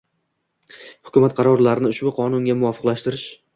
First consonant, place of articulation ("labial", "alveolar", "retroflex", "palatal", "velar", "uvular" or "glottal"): glottal